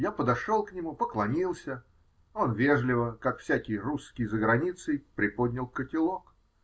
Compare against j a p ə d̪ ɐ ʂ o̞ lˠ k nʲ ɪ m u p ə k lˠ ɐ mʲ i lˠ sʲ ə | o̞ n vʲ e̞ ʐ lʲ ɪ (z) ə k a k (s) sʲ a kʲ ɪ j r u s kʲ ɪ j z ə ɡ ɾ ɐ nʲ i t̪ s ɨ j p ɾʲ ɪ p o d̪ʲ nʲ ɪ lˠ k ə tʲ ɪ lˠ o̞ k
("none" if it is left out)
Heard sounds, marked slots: v, f

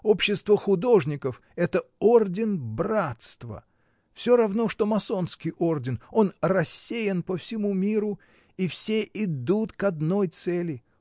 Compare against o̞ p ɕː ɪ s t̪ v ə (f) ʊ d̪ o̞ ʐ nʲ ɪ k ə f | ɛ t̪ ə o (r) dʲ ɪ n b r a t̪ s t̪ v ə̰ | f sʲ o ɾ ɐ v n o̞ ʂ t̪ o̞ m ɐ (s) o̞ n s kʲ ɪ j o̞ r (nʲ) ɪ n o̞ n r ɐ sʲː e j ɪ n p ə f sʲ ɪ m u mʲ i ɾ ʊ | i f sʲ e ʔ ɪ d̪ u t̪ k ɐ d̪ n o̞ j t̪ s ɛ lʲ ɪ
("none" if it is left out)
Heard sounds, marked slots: x, r, s, dʲ

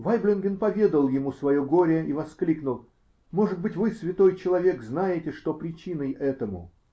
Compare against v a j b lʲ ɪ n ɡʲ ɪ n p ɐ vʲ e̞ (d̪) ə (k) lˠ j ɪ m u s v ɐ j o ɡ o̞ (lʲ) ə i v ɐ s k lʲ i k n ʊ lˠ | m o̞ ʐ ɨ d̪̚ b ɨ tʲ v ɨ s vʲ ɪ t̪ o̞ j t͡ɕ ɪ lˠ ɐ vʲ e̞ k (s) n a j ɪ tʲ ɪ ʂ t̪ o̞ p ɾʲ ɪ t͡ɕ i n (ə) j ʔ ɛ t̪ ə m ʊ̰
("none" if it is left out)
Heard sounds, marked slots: d̪, none, ɾʲ, z, ə

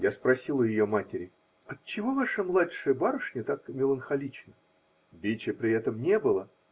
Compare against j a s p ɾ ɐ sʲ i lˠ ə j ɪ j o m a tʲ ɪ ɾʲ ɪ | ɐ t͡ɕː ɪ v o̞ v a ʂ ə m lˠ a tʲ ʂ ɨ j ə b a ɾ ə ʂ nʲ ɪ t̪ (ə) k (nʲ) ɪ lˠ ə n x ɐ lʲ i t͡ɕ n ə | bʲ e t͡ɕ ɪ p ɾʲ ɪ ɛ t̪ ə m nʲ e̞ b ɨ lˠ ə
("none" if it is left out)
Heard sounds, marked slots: a, mʲ

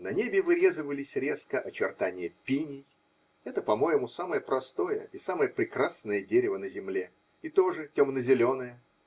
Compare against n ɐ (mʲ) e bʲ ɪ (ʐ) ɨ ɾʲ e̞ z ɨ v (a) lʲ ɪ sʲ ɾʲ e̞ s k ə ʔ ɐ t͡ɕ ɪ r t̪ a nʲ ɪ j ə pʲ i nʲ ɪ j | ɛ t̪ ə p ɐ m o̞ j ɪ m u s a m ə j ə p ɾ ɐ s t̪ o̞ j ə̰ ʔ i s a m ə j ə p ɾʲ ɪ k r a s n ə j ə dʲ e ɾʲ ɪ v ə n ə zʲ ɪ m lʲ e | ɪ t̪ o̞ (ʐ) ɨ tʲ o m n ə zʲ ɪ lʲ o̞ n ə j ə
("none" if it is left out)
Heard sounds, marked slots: nʲ, v, ə, ʐ

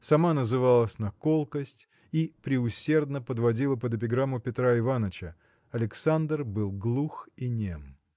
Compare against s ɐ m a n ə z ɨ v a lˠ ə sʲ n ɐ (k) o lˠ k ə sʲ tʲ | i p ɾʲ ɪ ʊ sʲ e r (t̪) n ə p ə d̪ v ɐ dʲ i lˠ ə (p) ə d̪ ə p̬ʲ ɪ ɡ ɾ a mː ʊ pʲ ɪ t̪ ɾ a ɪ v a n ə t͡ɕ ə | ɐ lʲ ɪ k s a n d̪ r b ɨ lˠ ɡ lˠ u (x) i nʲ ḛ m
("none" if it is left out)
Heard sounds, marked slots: k, d̪, p, x

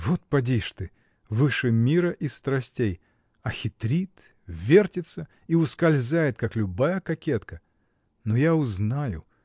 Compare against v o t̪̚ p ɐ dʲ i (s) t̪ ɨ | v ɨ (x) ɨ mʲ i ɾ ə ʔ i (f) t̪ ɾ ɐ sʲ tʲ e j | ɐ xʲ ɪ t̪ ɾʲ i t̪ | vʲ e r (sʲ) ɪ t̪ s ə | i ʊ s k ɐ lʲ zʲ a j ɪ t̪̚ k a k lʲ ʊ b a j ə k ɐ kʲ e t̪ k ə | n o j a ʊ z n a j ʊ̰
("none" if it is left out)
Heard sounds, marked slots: ʂ, ʂ, s, tʲ

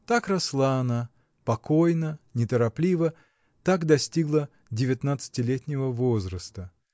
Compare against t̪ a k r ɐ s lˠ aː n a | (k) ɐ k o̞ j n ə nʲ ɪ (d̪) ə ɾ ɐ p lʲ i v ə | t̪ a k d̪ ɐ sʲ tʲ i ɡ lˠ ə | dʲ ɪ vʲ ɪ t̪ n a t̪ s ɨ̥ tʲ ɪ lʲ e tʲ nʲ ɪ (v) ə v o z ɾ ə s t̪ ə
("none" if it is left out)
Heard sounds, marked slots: p, t̪, v

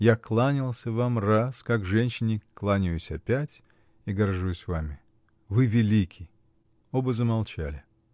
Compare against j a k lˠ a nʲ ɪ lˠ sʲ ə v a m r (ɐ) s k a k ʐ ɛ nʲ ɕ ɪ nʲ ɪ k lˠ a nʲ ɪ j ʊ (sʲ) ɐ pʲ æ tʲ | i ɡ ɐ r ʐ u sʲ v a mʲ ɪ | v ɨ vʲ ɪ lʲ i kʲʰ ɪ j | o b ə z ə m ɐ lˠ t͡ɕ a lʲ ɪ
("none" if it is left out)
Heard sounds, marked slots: a, sʲ

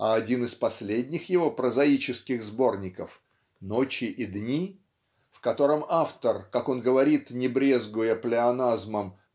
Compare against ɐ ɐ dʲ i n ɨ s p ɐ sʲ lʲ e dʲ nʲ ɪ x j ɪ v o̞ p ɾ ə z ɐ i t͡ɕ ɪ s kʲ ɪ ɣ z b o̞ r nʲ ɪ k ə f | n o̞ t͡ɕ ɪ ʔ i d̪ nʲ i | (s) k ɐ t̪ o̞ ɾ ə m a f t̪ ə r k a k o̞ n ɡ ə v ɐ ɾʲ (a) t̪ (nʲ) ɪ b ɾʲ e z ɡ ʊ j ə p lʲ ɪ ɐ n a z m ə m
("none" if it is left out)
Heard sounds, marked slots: f, i, nʲ

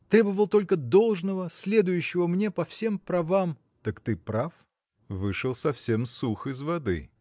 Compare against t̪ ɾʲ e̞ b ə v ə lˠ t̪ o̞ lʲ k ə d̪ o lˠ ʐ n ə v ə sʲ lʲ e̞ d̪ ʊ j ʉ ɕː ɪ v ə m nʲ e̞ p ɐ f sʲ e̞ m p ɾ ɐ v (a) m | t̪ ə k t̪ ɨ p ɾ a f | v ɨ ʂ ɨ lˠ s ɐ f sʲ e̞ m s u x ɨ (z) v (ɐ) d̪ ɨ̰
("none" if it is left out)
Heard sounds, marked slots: a, z, ɐ

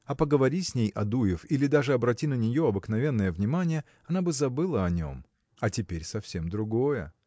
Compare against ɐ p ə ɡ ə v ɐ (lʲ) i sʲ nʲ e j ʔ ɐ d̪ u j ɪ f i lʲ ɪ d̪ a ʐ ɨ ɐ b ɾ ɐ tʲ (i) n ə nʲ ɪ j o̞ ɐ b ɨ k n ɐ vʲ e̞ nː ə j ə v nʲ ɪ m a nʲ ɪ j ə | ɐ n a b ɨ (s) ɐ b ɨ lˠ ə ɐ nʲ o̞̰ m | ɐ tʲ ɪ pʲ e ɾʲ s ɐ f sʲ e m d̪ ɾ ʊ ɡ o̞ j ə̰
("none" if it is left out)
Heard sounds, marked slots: ɾʲ, i, z

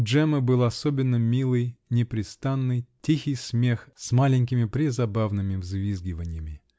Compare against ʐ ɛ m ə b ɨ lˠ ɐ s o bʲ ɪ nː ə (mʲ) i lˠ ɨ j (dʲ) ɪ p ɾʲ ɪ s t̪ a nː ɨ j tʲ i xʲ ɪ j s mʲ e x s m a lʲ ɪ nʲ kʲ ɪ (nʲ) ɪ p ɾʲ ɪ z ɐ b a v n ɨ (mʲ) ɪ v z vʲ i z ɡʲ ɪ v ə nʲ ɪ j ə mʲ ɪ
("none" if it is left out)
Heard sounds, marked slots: mʲ, nʲ, mʲ, mʲ

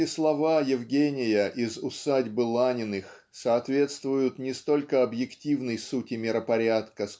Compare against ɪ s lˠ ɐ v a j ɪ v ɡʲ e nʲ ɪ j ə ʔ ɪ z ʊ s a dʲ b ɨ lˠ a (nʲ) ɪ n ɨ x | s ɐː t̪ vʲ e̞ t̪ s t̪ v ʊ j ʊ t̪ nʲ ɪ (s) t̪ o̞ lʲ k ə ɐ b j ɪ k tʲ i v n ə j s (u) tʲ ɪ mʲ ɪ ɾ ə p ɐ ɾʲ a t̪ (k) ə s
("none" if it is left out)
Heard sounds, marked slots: nʲ, s, u, k

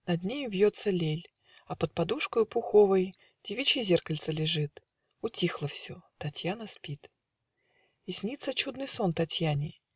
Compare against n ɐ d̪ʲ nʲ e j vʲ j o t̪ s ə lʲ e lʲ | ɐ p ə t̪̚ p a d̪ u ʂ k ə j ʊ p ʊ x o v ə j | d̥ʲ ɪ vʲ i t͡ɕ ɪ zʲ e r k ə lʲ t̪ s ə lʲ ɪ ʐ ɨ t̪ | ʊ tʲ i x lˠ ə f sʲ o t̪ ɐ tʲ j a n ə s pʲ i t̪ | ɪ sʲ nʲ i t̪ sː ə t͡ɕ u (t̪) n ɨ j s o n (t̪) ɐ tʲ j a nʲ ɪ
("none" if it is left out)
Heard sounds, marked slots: d̪, t̪

